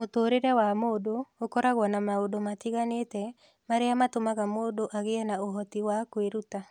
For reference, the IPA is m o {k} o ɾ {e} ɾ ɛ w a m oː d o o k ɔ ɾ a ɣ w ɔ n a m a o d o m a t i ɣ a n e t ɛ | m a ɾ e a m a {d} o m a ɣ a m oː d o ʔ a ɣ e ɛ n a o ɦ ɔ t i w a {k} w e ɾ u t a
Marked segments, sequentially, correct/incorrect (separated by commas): incorrect, correct, incorrect, correct